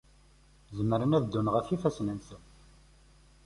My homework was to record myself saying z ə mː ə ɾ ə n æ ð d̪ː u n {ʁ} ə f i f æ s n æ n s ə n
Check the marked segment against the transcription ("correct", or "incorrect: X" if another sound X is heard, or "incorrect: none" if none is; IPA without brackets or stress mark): correct